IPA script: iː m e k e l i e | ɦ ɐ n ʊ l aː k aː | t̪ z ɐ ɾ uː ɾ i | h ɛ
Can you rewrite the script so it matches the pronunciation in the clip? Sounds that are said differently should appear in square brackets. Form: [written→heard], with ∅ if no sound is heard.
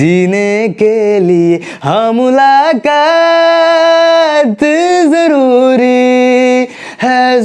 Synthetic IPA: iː [m→n] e k e l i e | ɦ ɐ [n→m] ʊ l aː k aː | t̪ z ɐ ɾ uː ɾ i | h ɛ